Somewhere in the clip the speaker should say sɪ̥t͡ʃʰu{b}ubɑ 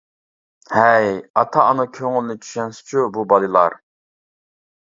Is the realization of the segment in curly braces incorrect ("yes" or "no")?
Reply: no